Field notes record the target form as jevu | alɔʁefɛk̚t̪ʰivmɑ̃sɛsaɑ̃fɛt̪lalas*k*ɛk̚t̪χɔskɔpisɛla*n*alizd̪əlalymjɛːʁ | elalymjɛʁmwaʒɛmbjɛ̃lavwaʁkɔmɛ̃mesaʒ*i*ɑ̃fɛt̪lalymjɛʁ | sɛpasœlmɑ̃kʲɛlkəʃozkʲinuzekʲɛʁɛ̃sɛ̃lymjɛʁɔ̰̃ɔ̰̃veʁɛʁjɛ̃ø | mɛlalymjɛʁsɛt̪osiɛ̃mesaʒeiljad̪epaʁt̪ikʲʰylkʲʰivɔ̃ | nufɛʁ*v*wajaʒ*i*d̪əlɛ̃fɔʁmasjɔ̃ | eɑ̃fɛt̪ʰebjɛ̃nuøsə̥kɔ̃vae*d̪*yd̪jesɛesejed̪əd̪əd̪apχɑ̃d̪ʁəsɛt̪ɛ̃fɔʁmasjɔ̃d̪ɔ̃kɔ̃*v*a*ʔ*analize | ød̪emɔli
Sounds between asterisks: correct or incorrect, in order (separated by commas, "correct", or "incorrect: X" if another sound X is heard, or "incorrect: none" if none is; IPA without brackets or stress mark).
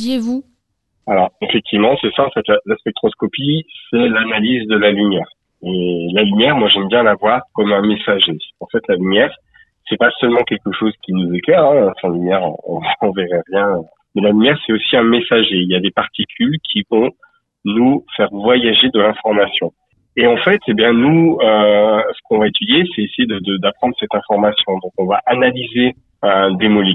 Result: incorrect: p, correct, incorrect: e, correct, incorrect: e, incorrect: t̪, correct, correct